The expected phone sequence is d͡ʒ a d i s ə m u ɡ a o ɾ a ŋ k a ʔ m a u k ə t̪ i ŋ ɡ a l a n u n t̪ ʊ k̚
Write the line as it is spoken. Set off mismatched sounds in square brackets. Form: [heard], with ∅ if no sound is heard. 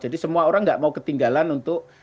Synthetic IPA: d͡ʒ a d i s ə m u [∅] a o ɾ a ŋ [ɡ] a ʔ m a u k ə t̪ i ŋ ɡ a l a n u n t̪ ʊ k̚